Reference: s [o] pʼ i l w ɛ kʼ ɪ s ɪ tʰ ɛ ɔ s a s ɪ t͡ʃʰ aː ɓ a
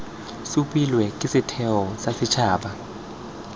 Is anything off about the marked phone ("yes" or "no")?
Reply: yes